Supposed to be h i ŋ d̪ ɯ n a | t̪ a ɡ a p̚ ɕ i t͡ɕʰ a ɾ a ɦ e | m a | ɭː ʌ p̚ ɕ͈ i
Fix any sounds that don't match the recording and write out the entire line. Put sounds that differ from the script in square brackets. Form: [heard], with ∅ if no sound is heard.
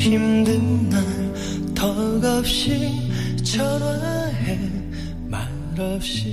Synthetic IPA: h i [m] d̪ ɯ n a | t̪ [ʌ] ɡ [ʌ] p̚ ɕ i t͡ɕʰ [ʌ] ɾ a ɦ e | m a | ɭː ʌ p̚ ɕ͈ i